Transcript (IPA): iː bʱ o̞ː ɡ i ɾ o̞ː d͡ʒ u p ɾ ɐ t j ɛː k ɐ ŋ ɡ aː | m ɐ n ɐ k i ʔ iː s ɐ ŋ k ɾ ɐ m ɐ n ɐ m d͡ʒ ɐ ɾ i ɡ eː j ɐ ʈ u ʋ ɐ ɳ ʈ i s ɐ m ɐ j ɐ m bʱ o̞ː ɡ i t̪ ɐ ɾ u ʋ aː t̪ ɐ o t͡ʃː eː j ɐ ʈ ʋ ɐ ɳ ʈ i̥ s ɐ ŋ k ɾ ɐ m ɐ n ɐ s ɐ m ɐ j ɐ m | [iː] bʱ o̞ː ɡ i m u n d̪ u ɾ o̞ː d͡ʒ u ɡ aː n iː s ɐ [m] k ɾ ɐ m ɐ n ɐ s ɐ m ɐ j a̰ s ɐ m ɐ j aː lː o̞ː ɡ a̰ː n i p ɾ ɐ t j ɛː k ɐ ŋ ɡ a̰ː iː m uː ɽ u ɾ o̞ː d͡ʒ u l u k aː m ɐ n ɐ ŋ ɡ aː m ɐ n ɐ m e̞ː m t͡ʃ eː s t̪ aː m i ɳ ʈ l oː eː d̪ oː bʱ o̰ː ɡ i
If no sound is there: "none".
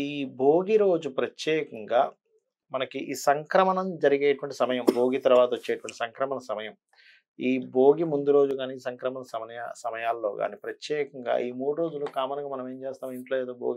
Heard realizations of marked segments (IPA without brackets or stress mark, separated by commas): iː, ŋ